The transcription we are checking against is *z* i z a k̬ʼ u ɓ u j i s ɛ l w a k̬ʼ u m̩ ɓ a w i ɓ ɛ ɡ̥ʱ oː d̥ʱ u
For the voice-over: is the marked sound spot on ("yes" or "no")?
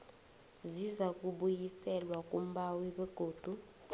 yes